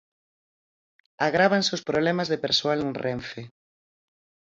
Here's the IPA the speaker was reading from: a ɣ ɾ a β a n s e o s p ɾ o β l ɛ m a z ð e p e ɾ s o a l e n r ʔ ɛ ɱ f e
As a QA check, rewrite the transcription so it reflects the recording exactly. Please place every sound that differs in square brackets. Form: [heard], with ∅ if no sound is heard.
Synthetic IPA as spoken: a ɣ ɾ a β a n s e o s p ɾ o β l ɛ m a z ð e p e ɾ s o a l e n r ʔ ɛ ɱ f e